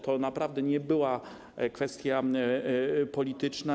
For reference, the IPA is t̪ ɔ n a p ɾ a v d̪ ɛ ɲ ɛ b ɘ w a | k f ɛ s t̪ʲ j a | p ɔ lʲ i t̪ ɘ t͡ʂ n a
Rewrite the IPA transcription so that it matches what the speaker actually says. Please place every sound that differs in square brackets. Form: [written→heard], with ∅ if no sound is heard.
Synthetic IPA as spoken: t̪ ɔ n a p ɾ a v d̪ ɛ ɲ ɛ b ɘ w a | k f ɛ s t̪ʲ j a | p ɔ lʲ i t̪ ɘ t͡ʂ n a